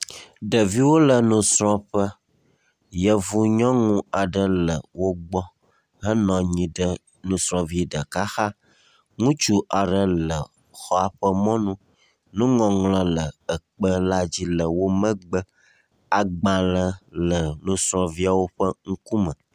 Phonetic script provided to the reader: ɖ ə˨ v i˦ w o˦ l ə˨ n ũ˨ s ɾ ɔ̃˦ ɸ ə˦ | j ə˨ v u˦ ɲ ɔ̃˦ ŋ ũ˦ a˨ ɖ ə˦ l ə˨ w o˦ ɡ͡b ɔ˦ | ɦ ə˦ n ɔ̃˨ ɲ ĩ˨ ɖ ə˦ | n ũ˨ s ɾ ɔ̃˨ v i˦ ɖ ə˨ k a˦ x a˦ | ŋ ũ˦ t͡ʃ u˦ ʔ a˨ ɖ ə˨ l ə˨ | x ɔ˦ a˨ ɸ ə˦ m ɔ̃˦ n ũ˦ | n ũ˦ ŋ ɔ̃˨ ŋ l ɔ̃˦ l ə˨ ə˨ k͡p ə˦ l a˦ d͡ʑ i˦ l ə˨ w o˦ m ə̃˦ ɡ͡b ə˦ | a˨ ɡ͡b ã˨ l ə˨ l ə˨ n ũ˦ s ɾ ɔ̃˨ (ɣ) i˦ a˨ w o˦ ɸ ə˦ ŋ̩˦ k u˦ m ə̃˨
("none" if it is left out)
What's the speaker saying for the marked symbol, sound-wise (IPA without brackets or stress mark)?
v